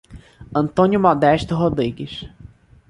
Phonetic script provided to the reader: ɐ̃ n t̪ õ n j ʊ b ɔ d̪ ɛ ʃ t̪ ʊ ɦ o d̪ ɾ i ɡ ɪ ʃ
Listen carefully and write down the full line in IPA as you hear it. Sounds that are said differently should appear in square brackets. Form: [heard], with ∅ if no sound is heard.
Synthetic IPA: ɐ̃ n t̪ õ n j ʊ [m] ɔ d̪ ɛ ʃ t̪ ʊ ɦ o d̪ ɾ i ɡ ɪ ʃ